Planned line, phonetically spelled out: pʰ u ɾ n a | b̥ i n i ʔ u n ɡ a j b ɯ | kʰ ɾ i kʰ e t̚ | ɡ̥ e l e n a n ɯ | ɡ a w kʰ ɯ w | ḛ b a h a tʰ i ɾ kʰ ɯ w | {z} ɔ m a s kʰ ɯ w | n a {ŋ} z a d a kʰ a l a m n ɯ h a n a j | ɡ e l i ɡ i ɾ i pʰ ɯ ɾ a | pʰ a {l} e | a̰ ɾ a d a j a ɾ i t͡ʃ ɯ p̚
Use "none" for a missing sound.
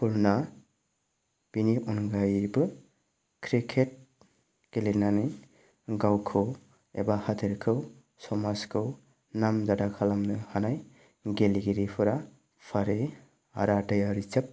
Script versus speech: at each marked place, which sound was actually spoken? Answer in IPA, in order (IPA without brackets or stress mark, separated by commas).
s, m, ɾ